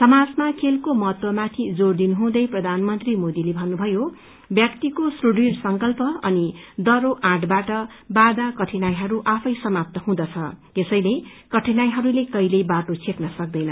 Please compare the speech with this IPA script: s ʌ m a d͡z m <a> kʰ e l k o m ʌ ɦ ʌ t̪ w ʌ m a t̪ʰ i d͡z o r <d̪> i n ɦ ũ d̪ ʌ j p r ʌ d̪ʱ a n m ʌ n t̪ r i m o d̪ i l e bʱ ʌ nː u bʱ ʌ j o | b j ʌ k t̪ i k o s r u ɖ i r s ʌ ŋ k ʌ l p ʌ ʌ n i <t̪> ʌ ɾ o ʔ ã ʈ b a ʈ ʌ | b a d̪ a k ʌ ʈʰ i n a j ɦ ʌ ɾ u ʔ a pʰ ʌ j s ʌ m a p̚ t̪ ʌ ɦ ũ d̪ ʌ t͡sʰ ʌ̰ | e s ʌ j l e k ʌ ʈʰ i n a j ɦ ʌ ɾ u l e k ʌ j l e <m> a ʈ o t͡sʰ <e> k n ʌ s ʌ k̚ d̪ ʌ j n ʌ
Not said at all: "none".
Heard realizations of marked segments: a, d̪, d̪, b, e

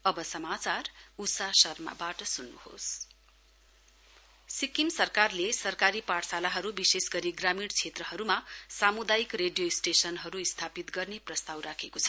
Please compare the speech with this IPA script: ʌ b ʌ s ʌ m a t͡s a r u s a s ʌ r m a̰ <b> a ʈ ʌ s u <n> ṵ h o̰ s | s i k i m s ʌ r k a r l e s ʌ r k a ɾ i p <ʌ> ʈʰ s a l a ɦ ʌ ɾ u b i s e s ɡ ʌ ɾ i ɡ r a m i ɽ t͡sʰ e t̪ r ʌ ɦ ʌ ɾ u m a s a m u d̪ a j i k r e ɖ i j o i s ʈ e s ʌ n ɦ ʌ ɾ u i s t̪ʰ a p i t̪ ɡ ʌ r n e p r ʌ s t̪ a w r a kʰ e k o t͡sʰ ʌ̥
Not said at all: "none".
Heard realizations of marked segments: b, nː, a

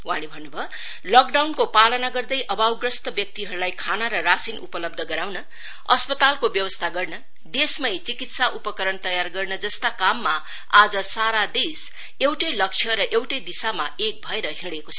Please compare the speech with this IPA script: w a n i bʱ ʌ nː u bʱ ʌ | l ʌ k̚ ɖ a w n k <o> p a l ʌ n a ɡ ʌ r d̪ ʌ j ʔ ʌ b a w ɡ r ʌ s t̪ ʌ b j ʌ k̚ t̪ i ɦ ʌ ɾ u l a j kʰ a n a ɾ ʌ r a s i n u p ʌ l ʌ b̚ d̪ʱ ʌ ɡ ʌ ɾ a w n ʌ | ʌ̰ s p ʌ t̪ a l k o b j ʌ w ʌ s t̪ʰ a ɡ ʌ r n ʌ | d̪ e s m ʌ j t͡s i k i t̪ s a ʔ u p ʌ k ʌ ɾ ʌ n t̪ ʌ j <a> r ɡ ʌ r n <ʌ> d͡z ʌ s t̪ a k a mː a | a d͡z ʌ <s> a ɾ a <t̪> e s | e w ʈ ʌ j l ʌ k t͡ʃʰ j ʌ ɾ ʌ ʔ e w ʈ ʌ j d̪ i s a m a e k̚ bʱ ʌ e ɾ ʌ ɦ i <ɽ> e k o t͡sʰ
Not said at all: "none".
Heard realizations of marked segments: o, a, ʌ, s, d̪, ɽ

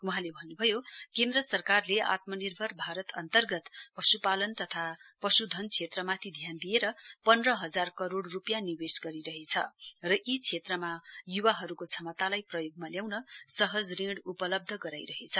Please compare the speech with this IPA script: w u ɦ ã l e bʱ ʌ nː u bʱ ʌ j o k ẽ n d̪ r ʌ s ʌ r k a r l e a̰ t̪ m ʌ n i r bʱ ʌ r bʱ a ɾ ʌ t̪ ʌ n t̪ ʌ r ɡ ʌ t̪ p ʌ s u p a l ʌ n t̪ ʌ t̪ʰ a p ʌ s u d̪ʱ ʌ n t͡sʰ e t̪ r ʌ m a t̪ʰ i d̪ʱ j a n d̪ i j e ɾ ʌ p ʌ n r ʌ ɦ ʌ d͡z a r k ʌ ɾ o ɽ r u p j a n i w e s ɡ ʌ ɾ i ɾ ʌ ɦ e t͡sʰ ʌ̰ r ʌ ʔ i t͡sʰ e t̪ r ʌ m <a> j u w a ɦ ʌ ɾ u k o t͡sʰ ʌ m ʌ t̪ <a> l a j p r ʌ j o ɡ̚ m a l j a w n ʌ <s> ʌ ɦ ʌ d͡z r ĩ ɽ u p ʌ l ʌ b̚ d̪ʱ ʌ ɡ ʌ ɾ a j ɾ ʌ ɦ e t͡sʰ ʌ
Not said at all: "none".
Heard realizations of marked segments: a, a, s

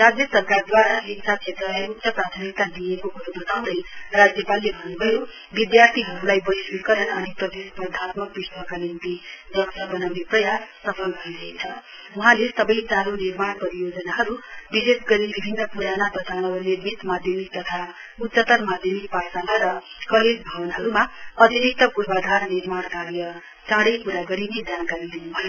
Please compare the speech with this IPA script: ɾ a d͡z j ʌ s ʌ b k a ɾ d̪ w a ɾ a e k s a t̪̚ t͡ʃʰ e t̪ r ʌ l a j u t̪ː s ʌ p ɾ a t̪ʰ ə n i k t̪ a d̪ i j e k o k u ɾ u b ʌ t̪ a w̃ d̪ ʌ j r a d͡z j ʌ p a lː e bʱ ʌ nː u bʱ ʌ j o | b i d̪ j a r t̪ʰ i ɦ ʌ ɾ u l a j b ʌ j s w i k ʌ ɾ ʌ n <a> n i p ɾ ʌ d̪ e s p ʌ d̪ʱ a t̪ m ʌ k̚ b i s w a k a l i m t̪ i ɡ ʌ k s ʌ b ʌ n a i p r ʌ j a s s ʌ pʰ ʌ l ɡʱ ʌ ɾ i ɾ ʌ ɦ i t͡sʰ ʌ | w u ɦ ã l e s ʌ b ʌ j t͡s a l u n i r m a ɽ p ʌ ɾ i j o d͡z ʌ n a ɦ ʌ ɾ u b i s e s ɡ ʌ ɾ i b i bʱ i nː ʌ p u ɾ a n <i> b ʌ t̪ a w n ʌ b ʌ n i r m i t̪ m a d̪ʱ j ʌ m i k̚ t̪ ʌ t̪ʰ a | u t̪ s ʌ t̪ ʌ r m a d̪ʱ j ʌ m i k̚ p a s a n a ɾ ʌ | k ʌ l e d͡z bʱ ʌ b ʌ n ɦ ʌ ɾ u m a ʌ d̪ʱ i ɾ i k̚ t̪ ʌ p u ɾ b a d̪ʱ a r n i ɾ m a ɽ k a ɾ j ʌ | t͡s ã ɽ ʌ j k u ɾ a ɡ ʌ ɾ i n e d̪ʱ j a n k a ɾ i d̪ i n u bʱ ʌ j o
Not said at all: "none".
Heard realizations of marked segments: ʌ, a

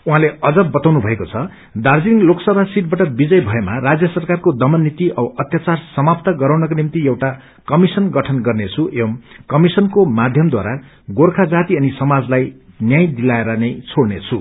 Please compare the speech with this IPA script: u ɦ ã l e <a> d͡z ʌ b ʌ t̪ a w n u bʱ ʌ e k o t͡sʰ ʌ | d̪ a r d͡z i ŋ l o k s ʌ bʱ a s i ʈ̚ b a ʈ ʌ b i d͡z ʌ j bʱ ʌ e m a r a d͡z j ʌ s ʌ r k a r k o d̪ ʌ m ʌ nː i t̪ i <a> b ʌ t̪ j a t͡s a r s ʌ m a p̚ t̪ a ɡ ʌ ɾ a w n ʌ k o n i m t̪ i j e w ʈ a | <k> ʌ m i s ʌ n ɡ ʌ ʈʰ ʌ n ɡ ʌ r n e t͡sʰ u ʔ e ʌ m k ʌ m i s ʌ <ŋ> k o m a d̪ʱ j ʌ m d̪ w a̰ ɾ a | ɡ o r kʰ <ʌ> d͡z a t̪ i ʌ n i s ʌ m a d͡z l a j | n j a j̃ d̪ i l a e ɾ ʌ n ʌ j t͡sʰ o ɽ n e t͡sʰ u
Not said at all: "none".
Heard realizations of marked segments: ʌ, ʌ, k, n, a

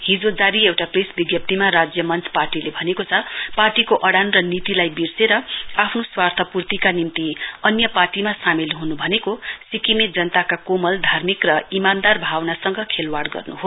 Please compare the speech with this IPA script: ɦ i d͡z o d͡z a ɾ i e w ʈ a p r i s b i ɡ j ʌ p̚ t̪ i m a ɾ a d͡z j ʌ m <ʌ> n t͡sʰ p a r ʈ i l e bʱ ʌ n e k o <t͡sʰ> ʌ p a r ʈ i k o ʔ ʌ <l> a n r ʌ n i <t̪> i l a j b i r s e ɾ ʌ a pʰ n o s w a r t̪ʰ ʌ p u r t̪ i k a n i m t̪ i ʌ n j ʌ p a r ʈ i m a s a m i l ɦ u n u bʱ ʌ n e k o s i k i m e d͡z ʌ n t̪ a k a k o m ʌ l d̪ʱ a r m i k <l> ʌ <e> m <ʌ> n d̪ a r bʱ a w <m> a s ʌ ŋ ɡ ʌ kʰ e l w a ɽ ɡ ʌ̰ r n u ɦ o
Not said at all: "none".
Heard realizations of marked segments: ʌ, t͡sʰ, ɽ, t̪, r, i, a, n

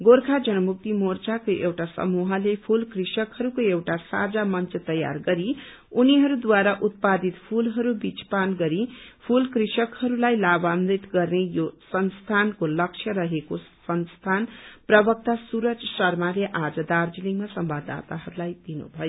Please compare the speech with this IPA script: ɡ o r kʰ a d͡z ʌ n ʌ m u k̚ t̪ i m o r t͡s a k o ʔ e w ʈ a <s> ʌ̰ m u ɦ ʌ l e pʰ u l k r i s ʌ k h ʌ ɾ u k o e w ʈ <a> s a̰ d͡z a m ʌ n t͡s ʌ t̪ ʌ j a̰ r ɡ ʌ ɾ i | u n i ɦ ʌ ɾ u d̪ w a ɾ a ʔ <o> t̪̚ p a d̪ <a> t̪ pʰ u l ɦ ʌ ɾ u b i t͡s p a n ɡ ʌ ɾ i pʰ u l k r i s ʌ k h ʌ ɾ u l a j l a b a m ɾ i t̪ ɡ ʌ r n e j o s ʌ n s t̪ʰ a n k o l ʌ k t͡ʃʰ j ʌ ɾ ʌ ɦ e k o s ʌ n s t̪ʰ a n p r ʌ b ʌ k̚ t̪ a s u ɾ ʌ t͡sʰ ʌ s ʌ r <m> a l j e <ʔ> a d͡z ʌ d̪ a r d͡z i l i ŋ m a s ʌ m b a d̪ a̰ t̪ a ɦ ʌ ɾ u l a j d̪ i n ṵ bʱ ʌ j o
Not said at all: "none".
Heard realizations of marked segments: s, a, u, i, m, ʔ

